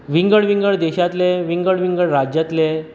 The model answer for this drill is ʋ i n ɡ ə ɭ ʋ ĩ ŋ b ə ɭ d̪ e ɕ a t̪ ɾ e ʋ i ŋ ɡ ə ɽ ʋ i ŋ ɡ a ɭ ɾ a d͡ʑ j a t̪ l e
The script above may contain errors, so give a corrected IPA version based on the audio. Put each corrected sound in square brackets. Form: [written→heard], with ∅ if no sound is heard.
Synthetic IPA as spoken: ʋ i [n→ŋ] ɡ ə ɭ ʋ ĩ ŋ [b→ɡ] ə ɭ d̪ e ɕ a t̪ [ɾ→l] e ʋ i ŋ ɡ ə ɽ ʋ i ŋ ɡ [a→ə] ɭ ɾ a d͡ʑ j a t̪ l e